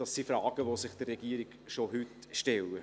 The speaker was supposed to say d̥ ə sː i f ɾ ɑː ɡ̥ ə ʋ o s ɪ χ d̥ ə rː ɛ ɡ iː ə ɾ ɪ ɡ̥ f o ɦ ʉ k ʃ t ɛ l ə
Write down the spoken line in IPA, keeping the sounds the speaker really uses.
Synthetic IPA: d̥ ɑ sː i f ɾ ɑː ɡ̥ ə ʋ o s ɪ χ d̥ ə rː ɛ ɡ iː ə ɾ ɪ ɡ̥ ʃ o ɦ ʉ t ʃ t ɛ l ə